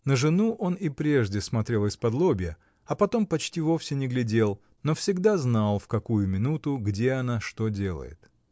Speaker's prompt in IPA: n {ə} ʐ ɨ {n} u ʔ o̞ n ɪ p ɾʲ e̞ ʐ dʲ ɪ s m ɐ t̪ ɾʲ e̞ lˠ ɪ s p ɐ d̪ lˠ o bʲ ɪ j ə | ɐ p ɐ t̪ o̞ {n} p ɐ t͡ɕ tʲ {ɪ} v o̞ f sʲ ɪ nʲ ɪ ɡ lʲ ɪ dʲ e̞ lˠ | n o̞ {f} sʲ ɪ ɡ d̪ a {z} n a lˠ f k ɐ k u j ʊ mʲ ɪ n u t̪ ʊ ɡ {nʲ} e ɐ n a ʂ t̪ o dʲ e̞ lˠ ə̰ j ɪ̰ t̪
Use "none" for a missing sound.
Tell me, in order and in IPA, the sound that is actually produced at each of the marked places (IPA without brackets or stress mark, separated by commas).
ə, n, m, i, f, z, dʲ